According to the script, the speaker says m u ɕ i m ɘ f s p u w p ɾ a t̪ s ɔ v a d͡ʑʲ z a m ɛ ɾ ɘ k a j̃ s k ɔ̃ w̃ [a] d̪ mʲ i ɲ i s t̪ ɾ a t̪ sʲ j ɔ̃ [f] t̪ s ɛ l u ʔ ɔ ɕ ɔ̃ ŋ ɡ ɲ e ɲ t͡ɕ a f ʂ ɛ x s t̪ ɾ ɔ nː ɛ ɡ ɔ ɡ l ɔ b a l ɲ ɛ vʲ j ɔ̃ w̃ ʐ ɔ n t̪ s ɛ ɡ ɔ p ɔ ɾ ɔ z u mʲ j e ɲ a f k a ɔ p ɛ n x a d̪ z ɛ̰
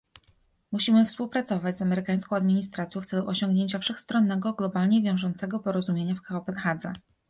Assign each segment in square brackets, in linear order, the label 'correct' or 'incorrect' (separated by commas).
correct, correct